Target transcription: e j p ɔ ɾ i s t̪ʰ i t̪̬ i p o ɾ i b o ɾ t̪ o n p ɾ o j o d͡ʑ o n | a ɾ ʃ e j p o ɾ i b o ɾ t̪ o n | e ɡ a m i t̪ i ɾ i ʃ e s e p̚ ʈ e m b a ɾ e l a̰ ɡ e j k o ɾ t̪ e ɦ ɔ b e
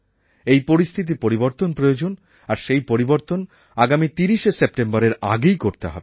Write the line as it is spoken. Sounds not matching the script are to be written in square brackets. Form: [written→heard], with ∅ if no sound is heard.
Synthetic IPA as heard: e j p [ɔ→o] ɾ i s t̪ʰ i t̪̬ i p o ɾ i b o ɾ t̪ o n p ɾ o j o d͡ʑ o n | a ɾ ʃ e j p o ɾ i b o ɾ t̪ o n | [e→a] ɡ a m i t̪ i ɾ i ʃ e s e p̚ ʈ e m b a ɾ e [l→ɾ] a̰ ɡ e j k o ɾ t̪ e ɦ ɔ b e